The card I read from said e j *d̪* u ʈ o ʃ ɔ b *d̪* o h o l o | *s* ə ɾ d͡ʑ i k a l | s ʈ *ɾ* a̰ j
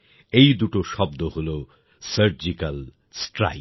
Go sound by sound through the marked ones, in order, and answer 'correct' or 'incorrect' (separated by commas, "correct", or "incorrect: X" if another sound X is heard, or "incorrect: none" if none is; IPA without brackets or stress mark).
correct, correct, correct, correct